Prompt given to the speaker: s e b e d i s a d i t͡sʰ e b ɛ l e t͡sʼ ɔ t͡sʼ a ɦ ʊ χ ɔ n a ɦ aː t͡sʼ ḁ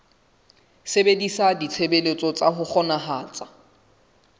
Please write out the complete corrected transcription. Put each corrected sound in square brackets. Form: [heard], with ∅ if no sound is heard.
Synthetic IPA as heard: s e b e d i s a d i t͡sʰ e b [e] l e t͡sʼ ɔ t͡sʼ a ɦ ʊ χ ɔ n a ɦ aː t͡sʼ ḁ